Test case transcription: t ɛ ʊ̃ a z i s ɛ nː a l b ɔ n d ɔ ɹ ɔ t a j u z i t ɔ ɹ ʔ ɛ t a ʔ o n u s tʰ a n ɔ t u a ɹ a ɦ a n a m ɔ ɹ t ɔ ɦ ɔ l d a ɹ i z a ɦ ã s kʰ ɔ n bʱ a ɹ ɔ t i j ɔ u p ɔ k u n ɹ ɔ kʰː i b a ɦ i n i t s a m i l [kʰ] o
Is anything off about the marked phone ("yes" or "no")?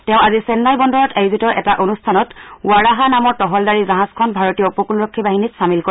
yes